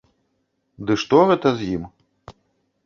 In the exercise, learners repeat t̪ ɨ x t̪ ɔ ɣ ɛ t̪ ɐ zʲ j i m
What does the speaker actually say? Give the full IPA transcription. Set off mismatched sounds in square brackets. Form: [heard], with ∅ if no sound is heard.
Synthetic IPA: [d̪] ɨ [ʂ] t̪ ɔ ɣ ɛ t̪ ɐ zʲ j i m